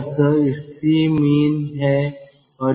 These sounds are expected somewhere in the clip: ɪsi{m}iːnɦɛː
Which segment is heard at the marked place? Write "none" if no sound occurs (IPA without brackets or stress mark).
m